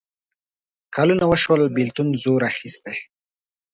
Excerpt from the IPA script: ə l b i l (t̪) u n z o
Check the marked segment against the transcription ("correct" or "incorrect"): correct